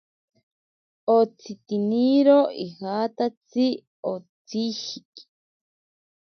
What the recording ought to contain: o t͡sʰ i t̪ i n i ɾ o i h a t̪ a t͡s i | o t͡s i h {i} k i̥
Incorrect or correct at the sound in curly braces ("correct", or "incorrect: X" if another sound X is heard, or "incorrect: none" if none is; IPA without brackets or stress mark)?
correct